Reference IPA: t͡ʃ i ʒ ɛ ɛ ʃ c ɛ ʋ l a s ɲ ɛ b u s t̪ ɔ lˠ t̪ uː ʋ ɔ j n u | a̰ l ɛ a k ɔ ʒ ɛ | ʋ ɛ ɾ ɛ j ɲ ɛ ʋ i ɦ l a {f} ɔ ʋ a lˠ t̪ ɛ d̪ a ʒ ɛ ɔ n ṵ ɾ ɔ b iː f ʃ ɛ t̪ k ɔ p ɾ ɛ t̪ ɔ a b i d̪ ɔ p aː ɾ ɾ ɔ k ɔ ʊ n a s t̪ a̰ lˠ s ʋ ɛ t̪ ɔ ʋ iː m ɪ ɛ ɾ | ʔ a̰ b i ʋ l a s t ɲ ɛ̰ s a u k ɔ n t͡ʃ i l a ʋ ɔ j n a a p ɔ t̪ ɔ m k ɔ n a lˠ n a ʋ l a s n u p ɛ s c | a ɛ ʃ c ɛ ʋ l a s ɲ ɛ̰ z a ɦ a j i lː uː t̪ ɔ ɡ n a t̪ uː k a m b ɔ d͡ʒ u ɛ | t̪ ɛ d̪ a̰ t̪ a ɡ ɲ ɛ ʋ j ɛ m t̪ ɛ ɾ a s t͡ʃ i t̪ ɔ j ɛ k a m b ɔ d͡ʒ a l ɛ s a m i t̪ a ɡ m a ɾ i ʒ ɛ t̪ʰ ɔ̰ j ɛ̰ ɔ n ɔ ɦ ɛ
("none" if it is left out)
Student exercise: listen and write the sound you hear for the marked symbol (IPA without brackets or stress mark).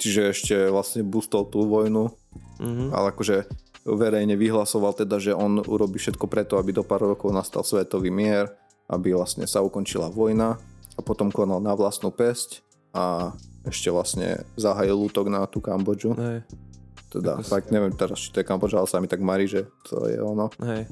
s